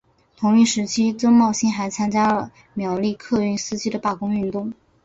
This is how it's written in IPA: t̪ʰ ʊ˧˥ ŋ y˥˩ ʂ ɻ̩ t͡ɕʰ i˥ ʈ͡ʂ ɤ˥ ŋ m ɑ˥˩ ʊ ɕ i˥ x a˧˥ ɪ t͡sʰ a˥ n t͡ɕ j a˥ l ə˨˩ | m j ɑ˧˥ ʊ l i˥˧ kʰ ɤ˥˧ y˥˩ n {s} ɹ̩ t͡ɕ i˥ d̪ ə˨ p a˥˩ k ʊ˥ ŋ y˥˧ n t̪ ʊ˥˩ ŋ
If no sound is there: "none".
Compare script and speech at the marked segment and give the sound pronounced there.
s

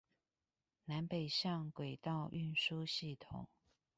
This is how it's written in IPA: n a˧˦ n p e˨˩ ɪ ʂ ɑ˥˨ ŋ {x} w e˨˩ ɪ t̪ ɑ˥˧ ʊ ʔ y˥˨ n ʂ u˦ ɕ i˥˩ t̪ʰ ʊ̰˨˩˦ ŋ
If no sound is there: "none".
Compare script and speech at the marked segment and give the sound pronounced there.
k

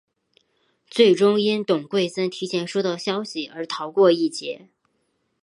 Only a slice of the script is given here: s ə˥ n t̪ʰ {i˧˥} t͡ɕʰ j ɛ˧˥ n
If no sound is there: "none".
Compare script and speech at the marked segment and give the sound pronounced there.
i˧˥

